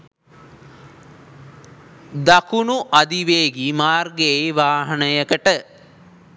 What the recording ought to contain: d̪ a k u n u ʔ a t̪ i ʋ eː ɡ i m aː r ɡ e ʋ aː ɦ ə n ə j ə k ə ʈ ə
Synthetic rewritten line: d̪ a k u n u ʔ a d̪ i ʋ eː ɡ i m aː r ɡ e ʋ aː ɦ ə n ə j ə k ə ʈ ə